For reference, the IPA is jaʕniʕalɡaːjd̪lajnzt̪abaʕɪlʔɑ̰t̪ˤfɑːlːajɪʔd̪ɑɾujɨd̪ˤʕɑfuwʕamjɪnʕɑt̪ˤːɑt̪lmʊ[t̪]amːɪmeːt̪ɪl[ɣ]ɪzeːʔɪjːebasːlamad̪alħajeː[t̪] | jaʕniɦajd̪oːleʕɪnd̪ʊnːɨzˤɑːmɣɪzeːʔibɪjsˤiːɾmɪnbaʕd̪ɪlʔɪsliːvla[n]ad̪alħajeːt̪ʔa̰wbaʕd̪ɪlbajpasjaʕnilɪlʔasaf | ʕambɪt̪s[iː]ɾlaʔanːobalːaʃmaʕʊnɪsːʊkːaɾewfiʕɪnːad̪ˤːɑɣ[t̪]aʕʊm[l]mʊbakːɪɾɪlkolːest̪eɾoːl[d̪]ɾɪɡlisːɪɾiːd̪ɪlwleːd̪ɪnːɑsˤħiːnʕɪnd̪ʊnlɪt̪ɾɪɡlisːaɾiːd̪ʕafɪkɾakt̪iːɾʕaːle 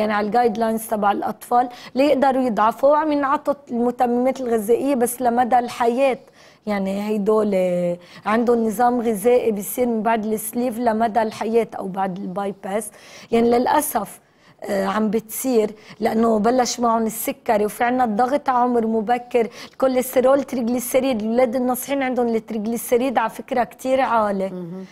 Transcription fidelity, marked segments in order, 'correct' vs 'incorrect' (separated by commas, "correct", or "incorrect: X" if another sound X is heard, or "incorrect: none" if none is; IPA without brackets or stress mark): correct, correct, correct, incorrect: m, correct, correct, incorrect: ɾ, incorrect: t̪